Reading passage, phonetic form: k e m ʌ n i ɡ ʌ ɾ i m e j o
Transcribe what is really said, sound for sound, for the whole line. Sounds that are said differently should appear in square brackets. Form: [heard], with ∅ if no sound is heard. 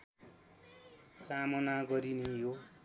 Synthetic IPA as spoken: k [a] m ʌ n [a] ɡ ʌ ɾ i [n] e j o